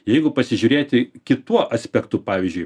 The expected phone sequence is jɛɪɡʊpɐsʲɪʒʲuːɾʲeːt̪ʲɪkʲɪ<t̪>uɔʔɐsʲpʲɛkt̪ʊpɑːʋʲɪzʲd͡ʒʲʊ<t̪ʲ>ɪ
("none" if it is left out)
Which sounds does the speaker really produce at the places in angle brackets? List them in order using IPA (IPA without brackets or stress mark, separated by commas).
t̪, none